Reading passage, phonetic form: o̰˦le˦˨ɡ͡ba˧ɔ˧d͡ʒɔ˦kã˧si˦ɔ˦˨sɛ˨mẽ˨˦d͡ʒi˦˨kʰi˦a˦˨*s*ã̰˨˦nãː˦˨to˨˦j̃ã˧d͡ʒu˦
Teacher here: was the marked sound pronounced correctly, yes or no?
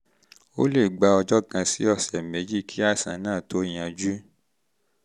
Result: yes